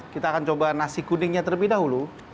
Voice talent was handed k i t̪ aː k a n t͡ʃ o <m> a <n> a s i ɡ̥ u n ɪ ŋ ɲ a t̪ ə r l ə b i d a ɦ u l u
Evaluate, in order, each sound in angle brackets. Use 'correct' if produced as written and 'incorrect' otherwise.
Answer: incorrect, correct

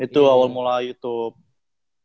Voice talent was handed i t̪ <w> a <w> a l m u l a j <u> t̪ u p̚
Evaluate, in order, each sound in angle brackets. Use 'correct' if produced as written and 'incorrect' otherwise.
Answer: incorrect, correct, correct

